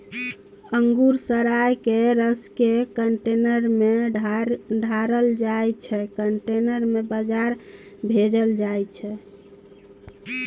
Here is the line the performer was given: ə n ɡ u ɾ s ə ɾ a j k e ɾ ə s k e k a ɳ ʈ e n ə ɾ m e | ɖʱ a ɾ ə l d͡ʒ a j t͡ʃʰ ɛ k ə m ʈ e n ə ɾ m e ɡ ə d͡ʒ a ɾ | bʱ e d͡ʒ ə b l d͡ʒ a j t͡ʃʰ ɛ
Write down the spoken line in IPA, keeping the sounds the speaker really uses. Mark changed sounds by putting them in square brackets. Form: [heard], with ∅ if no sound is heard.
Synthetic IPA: ə [ŋ] ɡ u ɾ s ə ɾ a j k e ɾ ə s k e k [ə] ɳ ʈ e n ə ɾ m e | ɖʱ a ɾ ə l d͡ʒ a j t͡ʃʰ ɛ k ə [ɳ] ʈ e n ə ɾ m e [b] ə d͡ʒ a ɾ | bʱ e d͡ʒ ə [∅] l d͡ʒ a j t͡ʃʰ ɛ